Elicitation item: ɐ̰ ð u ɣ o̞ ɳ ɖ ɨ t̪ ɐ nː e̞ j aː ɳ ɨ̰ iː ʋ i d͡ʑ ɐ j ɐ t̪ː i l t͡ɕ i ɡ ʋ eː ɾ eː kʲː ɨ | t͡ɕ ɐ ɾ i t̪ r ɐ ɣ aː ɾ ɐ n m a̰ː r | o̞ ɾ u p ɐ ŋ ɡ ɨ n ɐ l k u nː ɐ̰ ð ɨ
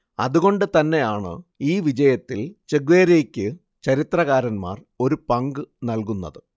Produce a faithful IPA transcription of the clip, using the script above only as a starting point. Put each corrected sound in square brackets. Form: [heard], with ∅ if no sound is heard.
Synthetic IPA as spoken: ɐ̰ ð u ɣ o̞ ɳ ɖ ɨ t̪ ɐ nː e̞ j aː ɳ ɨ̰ iː ʋ i d͡ʑ ɐ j ɐ t̪ː i l t͡ɕ [e] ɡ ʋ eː ɾ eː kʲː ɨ | t͡ɕ ɐ ɾ i t̪ r ɐ ɣ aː ɾ ɐ n m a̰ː r | o̞ ɾ u p ɐ ŋ ɡ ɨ n ɐ l k u nː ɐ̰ ð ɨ